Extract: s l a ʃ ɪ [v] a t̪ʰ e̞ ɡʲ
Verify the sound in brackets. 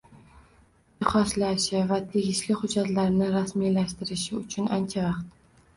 correct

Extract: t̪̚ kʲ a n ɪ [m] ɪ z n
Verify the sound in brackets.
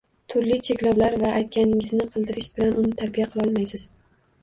incorrect: ŋ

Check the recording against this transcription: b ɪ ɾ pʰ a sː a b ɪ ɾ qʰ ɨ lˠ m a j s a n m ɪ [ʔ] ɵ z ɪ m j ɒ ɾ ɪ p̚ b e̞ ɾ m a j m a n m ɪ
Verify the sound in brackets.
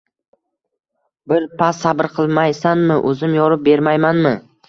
correct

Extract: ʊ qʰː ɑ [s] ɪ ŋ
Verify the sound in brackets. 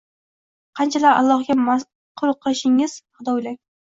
incorrect: ʃ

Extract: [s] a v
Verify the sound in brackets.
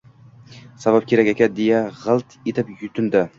correct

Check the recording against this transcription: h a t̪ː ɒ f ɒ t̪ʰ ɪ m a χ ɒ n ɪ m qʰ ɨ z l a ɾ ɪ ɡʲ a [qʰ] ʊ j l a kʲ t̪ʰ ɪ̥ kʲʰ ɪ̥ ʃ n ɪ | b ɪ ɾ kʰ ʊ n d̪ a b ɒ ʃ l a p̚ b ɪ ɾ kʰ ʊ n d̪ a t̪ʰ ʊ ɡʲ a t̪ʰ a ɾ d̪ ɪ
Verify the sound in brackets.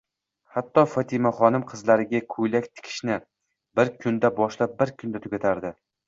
incorrect: kʰ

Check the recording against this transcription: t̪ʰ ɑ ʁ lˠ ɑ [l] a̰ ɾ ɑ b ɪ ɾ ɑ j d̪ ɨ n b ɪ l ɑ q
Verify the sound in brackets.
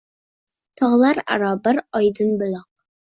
incorrect: ɾ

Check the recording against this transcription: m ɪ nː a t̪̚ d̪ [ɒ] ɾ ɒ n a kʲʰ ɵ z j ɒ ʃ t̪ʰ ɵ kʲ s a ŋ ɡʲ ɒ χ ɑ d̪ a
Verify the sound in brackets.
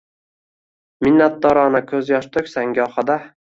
correct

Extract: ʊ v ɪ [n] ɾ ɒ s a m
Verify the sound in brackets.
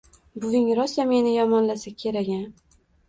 incorrect: ŋ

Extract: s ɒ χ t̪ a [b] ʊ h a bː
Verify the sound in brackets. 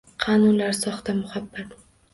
incorrect: m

